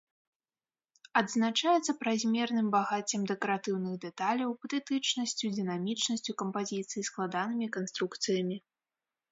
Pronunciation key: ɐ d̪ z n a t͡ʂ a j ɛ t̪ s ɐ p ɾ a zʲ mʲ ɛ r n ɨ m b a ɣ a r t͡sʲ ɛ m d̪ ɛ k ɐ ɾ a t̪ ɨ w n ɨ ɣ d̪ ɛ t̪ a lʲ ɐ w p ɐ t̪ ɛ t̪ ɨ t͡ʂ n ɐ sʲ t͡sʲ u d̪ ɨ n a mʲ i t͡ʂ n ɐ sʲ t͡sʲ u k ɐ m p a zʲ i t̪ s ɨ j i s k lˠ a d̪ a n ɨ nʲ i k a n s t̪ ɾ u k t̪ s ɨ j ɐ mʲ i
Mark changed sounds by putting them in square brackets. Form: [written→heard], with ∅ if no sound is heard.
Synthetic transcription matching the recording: ɐ d̪ z n a t͡ʂ a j ɛ t̪ s ɐ p ɾ a zʲ mʲ ɛ r n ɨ m b a ɣ a [r→∅] t͡sʲ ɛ m d̪ ɛ k ɐ ɾ a t̪ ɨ w n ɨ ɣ d̪ ɛ t̪ a lʲ ɐ w p ɐ t̪ ɛ t̪ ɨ t͡ʂ n ɐ sʲ t͡sʲ u d̪ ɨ n a mʲ i t͡ʂ n ɐ sʲ t͡sʲ u k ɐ m p a zʲ i t̪ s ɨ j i s k lˠ a d̪ a n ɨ [nʲ→mʲ] i k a n s t̪ ɾ u k t̪ s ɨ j ɐ mʲ i

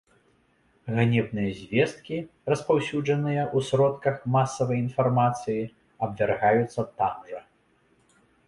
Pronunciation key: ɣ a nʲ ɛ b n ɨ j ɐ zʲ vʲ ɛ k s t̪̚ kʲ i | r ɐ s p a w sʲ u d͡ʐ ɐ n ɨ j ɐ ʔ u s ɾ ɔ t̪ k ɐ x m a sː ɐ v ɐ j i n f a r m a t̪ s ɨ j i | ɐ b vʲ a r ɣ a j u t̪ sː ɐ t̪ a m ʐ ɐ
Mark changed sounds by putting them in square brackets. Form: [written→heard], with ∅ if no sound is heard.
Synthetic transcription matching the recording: ɣ a nʲ ɛ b n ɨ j ɐ zʲ vʲ ɛ [k→∅] s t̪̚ kʲ i | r ɐ s p a w sʲ u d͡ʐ ɐ n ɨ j ɐ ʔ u s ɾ ɔ t̪ k ɐ x m a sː ɐ v ɐ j i n f a r m a t̪ s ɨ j i | ɐ b vʲ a r ɣ a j u t̪ sː ɐ t̪ a m ʐ ɐ

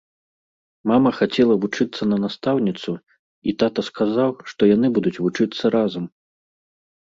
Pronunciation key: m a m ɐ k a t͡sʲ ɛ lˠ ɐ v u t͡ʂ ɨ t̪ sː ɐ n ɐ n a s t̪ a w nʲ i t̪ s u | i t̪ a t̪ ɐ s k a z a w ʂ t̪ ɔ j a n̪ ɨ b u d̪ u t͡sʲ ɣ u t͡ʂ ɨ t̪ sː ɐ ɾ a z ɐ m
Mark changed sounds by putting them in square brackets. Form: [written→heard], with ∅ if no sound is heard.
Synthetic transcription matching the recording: m a m ɐ [k→x] a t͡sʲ ɛ lˠ ɐ v u t͡ʂ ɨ t̪ sː ɐ n ɐ n a s t̪ a w nʲ i t̪ s u | i t̪ a t̪ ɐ s k a z a w ʂ t̪ ɔ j a n̪ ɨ b u d̪ u t͡sʲ [ɣ→v] u t͡ʂ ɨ t̪ sː ɐ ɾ a z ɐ m

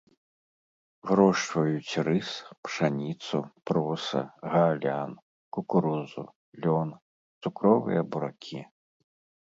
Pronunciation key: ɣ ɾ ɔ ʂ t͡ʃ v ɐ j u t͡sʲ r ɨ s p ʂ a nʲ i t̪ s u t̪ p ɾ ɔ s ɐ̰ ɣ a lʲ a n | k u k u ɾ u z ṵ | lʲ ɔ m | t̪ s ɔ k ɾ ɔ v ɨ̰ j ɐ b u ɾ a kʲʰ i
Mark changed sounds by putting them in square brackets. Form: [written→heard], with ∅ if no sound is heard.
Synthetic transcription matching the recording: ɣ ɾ ɔ ʂ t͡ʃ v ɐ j u t͡sʲ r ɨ s p ʂ a nʲ i t̪ s u [t̪→∅] p ɾ ɔ s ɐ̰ ɣ a lʲ a n | k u k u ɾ u z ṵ | lʲ ɔ [m→n] | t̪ s [ɔ→u] k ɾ ɔ v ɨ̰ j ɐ b u ɾ a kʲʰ i

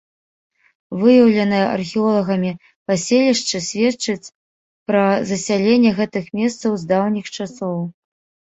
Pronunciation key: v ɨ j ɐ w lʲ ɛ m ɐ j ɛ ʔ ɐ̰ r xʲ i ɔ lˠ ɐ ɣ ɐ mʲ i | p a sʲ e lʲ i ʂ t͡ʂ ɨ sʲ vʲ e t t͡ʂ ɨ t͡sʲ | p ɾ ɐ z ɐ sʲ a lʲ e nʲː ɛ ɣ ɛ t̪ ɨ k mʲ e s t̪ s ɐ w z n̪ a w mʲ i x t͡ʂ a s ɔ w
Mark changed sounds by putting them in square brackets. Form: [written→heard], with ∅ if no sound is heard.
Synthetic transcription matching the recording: v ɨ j ɐ w lʲ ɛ [m→n] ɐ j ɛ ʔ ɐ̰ r xʲ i ɔ lˠ ɐ ɣ ɐ mʲ i | p a sʲ e lʲ i ʂ t͡ʂ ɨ sʲ vʲ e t t͡ʂ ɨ t͡sʲ | p ɾ ɐ z ɐ sʲ a lʲ e nʲː ɛ ɣ ɛ t̪ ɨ [k→x] mʲ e s t̪ s ɐ w z [n̪→d̪] a w [mʲ→nʲ] i x t͡ʂ a s ɔ w

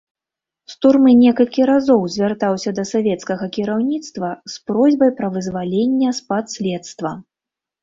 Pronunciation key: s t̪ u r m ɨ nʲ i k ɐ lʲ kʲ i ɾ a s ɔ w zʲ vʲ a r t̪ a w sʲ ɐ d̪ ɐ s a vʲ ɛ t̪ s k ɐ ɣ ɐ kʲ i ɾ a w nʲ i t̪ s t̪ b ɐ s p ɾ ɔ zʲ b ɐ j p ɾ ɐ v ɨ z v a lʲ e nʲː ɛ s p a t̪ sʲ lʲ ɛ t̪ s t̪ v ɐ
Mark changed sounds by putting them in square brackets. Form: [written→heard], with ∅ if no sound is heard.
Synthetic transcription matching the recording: s t̪ u r m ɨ nʲ [i→ɛ] k ɐ lʲ kʲ i ɾ a [s→z] ɔ w zʲ vʲ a r t̪ a w sʲ ɐ d̪ ɐ s a vʲ ɛ t̪ s k ɐ ɣ ɐ kʲ i ɾ a w nʲ i t̪ s t̪ [b→v] ɐ s p ɾ ɔ zʲ b ɐ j p ɾ ɐ v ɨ z v a lʲ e nʲː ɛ s p a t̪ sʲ lʲ ɛ t̪ s t̪ v ɐ

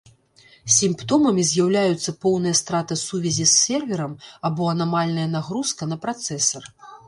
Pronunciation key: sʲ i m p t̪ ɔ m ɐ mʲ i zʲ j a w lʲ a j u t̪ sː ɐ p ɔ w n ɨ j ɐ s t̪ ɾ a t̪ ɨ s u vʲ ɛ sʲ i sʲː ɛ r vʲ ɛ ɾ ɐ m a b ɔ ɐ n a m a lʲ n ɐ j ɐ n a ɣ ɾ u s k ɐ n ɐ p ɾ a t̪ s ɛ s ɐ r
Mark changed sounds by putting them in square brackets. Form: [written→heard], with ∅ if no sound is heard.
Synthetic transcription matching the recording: sʲ i m p t̪ ɔ m ɐ mʲ i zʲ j a w lʲ a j u t̪ sː ɐ p ɔ w n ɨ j ɐ s t̪ ɾ a t̪ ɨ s u vʲ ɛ [sʲ→zʲ] i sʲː ɛ r vʲ ɛ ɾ ɐ m a b ɔ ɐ n a m a lʲ n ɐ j ɐ n a ɣ ɾ u s k ɐ n ɐ p ɾ a t̪ s ɛ s ɐ r

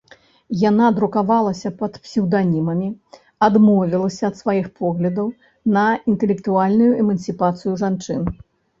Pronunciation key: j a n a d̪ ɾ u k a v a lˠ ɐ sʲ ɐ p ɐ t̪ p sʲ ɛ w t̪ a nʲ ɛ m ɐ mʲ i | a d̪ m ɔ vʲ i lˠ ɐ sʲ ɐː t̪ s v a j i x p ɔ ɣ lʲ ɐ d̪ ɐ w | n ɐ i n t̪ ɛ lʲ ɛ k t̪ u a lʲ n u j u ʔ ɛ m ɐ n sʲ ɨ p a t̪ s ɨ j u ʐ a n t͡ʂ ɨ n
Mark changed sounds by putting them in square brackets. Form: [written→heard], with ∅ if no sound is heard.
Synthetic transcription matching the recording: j a n a d̪ ɾ u k a v a lˠ ɐ sʲ ɐ p ɐ t̪ p sʲ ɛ w [t̪→d̪] a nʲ [ɛ→i] m ɐ mʲ i | a d̪ m ɔ vʲ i lˠ ɐ sʲ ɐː t̪ s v a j i x p ɔ ɣ lʲ ɐ d̪ ɐ w | n ɐ i n t̪ ɛ lʲ ɛ k t̪ u a lʲ n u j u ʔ ɛ m ɐ n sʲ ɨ p a t̪ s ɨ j u ʐ a n t͡ʂ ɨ n

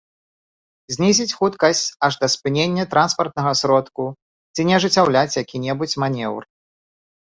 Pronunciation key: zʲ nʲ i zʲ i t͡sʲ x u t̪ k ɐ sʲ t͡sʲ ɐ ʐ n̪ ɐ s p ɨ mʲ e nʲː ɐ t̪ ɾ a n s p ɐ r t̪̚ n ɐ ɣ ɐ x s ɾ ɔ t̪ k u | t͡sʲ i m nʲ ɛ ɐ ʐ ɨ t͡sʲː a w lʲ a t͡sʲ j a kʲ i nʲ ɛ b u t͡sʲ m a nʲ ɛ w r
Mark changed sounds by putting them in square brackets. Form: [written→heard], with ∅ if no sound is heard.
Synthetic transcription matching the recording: zʲ nʲ i zʲ i t͡sʲ x u t̪ k ɐ sʲ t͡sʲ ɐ ʐ [n̪→d̪] ɐ s p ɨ [mʲ→nʲ] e nʲː ɐ t̪ ɾ a n s p ɐ r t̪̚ n ɐ ɣ ɐ [x→∅] s ɾ ɔ t̪ k u | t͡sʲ i [m→∅] nʲ ɛ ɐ ʐ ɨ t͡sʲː a w lʲ a t͡sʲ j a kʲ i nʲ ɛ b u t͡sʲ m a nʲ ɛ w r

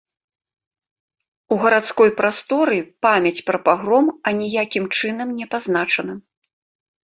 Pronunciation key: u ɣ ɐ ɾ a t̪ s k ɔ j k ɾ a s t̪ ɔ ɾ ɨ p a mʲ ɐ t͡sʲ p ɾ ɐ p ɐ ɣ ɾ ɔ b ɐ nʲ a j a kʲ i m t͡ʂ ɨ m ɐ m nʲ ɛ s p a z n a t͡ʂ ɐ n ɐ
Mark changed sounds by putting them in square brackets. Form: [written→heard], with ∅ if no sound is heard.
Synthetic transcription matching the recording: u ɣ ɐ ɾ a t̪ s k ɔ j [k→p] ɾ a s t̪ ɔ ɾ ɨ p a mʲ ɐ t͡sʲ p ɾ ɐ p [ɐ→a] ɣ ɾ ɔ [b→m] ɐ nʲ [a→i] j a kʲ i m t͡ʂ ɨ [m→n] ɐ m nʲ ɛ [s→∅] p a z n a t͡ʂ ɐ n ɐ

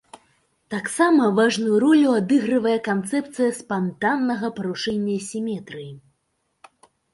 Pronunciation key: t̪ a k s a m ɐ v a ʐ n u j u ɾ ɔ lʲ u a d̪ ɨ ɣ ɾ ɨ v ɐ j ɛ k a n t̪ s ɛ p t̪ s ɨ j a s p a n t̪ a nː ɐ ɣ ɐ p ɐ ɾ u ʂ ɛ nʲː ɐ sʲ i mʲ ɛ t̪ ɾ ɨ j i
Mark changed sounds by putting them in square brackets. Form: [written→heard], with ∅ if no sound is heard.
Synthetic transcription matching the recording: t̪ a k s a m ɐ v a ʐ n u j u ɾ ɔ lʲ u a d̪ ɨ ɣ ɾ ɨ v ɐ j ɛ k a n t̪ s ɛ p t̪ s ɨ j [a→ɐ] s p a n t̪ a nː ɐ ɣ ɐ p ɐ ɾ u ʂ ɛ nʲː ɐ sʲ i mʲ ɛ t̪ ɾ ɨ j i

